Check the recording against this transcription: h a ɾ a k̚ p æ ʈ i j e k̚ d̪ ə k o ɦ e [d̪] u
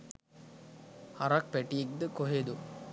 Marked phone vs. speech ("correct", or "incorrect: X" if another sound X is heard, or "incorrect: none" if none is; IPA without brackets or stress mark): correct